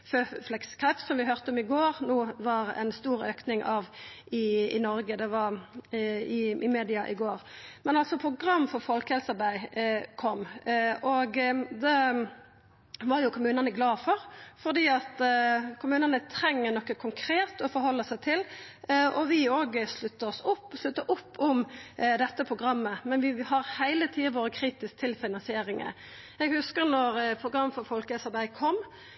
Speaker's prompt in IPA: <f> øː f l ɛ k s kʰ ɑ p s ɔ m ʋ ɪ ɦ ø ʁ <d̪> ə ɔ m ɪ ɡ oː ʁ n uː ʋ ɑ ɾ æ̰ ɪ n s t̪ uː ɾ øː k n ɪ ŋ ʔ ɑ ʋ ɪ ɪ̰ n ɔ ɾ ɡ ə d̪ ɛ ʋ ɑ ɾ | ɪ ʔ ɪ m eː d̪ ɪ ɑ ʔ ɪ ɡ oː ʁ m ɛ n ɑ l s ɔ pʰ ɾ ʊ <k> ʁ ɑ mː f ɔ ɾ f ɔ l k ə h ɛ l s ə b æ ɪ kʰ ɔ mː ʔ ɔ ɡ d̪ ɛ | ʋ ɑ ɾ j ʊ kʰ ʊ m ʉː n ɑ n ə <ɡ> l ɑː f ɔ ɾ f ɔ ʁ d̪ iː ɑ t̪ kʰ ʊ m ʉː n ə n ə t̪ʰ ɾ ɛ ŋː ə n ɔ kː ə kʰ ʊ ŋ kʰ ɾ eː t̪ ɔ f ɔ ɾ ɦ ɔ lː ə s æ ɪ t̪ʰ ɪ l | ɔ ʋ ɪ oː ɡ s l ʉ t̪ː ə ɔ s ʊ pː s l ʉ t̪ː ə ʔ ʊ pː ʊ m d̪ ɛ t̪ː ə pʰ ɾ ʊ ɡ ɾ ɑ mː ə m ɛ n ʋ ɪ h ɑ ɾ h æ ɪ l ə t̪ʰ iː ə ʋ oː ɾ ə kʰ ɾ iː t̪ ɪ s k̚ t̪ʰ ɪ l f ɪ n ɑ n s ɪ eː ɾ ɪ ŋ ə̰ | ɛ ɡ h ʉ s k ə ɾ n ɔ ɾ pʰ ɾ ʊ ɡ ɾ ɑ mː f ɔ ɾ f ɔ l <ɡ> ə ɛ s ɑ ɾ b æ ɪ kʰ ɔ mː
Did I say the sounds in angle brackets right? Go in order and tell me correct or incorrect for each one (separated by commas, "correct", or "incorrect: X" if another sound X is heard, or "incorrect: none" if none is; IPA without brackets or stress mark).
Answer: correct, incorrect: t̪, incorrect: ɡ, correct, incorrect: k